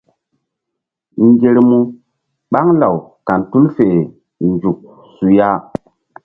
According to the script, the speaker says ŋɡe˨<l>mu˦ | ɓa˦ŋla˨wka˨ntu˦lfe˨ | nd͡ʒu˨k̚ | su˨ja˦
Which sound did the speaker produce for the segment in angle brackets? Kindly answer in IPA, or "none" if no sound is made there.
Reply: ɾ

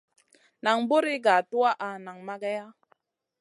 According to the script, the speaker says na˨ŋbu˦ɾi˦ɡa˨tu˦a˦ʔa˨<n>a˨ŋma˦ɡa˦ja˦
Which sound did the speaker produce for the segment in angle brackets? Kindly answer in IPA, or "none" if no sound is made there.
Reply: n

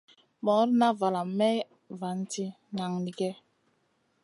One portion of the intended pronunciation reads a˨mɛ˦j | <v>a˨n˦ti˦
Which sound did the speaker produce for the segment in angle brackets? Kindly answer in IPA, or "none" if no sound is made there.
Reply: v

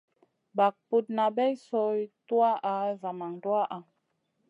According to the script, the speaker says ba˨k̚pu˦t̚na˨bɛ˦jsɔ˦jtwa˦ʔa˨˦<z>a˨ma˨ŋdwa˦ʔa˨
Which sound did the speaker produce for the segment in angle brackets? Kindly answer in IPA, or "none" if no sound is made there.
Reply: z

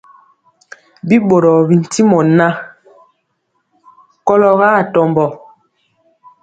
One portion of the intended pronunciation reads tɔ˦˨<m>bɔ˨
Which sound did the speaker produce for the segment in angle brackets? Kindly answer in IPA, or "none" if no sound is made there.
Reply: m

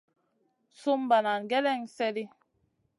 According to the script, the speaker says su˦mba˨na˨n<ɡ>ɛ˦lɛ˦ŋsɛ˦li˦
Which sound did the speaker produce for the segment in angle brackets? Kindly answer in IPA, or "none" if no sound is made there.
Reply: ɡ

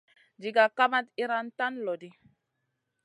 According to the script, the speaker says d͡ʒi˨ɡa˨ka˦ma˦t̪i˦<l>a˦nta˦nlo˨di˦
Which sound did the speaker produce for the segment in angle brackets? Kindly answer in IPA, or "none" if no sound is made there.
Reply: ɾ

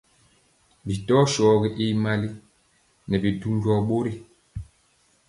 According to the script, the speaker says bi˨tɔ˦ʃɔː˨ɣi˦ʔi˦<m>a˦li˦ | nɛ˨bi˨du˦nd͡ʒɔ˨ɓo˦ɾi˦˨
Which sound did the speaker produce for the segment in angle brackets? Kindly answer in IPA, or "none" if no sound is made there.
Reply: m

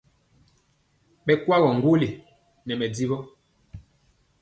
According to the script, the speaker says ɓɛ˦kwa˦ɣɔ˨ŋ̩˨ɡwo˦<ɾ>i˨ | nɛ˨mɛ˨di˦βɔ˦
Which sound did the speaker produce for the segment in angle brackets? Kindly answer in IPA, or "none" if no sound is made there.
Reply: l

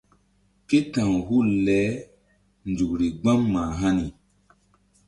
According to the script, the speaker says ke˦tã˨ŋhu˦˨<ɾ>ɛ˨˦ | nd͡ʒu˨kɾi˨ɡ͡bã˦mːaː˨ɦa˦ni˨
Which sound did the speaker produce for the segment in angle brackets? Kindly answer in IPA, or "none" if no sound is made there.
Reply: l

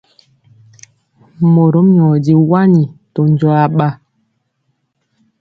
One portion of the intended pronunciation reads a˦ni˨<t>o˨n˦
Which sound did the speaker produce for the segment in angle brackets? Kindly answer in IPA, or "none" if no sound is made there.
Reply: t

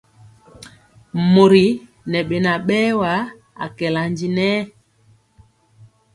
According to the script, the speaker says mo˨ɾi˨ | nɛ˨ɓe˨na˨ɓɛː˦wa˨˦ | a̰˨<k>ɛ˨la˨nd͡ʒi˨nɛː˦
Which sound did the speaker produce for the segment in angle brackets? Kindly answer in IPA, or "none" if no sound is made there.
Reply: k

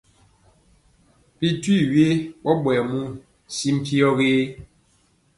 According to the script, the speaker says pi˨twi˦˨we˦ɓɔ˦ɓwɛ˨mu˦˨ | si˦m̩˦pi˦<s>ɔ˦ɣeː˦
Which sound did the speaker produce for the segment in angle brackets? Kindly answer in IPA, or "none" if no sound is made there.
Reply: none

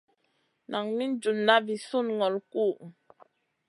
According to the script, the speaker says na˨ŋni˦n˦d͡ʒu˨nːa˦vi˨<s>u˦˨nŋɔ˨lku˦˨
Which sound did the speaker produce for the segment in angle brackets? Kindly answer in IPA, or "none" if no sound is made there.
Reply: s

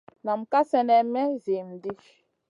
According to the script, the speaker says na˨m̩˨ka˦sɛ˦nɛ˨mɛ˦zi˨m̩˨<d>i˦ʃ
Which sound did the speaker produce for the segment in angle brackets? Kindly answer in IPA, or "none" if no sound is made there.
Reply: d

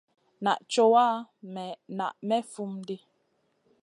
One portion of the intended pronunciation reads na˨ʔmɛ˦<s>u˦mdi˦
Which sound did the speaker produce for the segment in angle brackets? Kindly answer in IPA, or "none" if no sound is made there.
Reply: f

